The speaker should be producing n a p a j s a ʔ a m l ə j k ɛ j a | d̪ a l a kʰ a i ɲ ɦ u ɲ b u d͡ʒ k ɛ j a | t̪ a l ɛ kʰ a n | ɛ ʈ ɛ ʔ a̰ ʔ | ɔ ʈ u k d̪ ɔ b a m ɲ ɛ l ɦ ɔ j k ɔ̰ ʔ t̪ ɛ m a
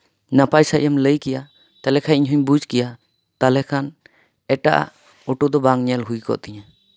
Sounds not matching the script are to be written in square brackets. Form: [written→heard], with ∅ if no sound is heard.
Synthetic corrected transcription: n a p a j s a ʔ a m l ə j k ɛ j a | [d̪→t̪] a l [a→ɛ] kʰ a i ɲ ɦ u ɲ b u d͡ʒ k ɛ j a | t̪ a l ɛ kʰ a n | ɛ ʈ [ɛ→a] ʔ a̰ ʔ | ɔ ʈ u [k→∅] d̪ ɔ b a [m→ŋ] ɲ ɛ l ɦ [ɔ→u] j k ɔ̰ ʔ t̪ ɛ [m→ɲ] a